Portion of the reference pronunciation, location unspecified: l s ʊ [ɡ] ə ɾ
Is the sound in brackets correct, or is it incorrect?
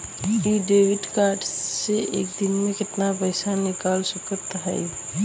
incorrect